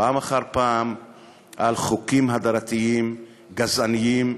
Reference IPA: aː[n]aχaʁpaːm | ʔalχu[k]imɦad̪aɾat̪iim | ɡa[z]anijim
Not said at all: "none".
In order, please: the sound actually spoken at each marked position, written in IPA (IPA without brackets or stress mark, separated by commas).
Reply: m, k, z